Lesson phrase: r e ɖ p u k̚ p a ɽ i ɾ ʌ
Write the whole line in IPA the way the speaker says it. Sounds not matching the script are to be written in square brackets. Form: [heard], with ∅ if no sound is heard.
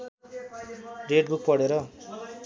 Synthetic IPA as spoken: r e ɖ [b] u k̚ p [ʌ] ɽ [e] ɾ ʌ